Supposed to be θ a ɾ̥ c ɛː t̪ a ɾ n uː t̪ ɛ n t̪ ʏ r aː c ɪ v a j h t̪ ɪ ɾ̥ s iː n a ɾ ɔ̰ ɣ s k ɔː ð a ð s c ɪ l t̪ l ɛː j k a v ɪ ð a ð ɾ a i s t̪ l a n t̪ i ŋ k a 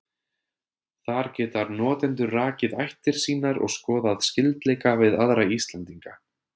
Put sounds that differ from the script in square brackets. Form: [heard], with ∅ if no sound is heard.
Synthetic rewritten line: θ a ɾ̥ c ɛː t̪ a ɾ n [ɔː] t̪ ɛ n t̪ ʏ r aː c ɪ [ð] a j h t̪ ɪ ɾ̥ s iː n a ɾ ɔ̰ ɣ s k ɔː ð a ð s c ɪ l t̪ l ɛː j k a v ɪ ð a ð ɾ a i s t̪ l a n t̪ i ŋ k a